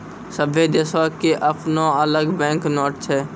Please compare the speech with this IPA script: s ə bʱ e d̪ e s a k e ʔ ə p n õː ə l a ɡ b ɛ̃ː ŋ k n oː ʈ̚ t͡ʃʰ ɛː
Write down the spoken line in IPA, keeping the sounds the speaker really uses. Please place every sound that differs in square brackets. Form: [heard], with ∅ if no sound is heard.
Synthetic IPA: s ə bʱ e d̪ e s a k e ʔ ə p n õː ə l [ə] ɡ b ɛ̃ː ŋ k n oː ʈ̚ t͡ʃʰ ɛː